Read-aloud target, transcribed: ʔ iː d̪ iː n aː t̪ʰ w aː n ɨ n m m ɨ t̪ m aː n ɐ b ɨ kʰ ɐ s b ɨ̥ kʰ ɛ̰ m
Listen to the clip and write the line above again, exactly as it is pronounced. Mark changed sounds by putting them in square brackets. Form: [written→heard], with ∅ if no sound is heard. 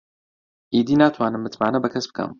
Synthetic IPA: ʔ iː d̪ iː n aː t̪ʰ w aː n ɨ [n→∅] m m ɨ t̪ m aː n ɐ b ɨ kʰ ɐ s b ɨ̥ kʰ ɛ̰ m